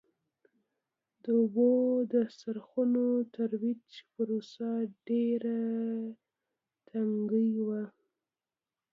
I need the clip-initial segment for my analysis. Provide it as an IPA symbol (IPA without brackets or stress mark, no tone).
d̪